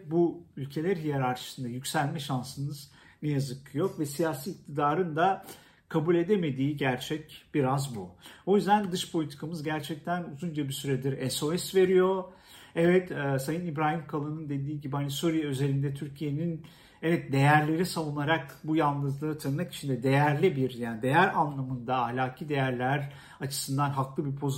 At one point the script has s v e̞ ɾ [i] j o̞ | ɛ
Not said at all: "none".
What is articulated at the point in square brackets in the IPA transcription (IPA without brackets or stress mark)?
i